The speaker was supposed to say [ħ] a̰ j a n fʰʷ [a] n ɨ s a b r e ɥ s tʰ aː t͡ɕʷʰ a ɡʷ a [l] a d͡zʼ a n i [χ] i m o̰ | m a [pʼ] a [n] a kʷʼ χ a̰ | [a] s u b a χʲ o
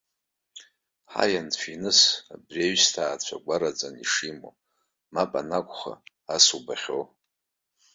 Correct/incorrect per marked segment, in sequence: correct, incorrect: i, incorrect: ɾ, incorrect: ʂ, correct, correct, correct

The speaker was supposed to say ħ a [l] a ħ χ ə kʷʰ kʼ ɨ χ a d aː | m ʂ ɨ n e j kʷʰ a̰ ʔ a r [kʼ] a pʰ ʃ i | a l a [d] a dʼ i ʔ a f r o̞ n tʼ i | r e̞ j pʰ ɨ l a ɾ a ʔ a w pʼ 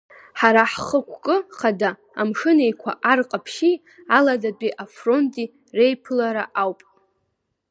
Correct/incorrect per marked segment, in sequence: incorrect: ɾ, incorrect: qʼ, correct

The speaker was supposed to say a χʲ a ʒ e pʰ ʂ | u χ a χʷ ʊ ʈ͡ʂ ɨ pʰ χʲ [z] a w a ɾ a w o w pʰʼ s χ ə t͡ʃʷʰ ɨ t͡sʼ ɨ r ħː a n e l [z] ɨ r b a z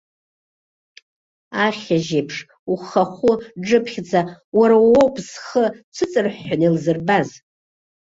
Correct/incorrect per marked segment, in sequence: incorrect: d͡z, correct

